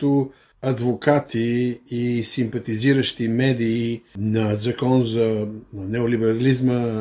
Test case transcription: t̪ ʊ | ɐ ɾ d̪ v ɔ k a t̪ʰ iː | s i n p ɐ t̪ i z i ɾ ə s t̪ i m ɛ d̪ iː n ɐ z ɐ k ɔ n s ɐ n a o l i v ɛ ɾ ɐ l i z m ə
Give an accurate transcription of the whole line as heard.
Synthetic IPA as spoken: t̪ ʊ | ɐ d̪ v o k a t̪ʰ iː | s i m p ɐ t̪ i z i ɾ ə ʃ t̪ i m ɛ d̪ iː n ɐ z ɐ k ɔ n z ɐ n ɛ o l i b ɛ ɾ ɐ l i z m ə